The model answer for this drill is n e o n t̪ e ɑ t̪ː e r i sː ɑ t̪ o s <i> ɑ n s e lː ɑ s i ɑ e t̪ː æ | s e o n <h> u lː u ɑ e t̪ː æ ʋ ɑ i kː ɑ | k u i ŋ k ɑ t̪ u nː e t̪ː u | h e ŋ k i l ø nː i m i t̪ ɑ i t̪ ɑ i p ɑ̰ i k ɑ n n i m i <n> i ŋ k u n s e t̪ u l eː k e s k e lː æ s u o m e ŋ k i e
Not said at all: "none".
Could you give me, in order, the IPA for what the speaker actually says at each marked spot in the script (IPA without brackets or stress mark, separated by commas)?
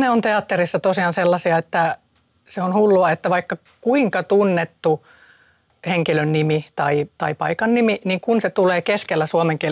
i, h, n